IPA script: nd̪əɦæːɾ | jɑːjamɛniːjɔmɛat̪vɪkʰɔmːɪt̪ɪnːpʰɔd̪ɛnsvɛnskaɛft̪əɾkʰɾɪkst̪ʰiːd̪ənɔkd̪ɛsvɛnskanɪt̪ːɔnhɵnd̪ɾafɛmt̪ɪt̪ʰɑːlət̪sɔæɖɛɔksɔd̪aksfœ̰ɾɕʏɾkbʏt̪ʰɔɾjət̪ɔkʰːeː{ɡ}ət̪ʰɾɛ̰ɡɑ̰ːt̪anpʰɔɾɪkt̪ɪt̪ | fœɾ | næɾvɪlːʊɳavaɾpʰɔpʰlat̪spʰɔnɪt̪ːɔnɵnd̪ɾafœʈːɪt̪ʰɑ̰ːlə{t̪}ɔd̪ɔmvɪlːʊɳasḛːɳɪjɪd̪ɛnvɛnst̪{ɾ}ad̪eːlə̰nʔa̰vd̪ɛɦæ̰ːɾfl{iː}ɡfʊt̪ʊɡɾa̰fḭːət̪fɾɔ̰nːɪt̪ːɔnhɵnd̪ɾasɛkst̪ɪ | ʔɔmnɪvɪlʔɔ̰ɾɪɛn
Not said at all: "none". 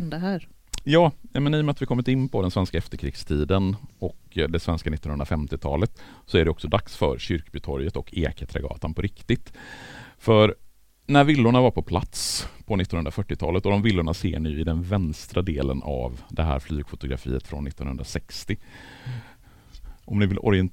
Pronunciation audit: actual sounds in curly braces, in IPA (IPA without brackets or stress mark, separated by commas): k, t̪, ɾ, yː